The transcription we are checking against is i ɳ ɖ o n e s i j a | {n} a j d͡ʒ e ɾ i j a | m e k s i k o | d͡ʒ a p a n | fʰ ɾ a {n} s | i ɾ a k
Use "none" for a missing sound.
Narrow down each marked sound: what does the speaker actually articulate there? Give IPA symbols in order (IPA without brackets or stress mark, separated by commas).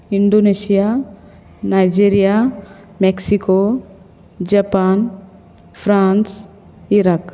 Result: n, n